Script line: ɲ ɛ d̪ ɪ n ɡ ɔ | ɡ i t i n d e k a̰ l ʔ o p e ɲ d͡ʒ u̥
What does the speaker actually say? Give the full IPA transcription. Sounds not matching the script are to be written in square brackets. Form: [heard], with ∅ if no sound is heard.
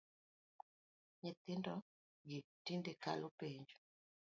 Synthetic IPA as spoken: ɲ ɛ [t̪] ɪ n [d] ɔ | ɡ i t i n d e k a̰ l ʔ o p e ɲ d͡ʒ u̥